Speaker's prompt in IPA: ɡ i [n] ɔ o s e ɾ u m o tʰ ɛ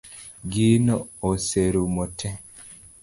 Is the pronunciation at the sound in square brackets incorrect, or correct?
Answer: correct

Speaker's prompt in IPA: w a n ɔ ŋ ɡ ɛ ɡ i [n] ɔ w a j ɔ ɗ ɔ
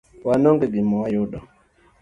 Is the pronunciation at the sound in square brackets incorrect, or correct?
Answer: incorrect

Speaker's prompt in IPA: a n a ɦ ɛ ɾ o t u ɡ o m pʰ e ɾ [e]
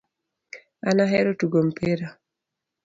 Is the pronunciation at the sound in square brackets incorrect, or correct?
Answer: incorrect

